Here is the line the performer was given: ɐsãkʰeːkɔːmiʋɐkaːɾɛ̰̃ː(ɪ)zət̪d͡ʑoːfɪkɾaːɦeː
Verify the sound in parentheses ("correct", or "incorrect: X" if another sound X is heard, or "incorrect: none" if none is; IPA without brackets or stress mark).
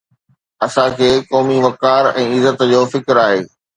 correct